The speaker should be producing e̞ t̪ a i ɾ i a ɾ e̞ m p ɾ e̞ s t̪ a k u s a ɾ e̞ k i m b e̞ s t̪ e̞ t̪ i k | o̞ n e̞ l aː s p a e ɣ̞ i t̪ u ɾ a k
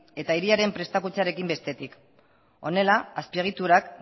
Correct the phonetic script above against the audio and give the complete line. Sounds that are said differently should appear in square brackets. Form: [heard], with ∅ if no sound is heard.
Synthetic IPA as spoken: e̞ t̪ a i ɾ i a ɾ e̞ m p ɾ e̞ s t̪ a k u [t͡s] a ɾ e̞ k i m b e̞ s t̪ e̞ t̪ i k | o̞ n e̞ l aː s p [i] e ɣ̞ i t̪ u ɾ a k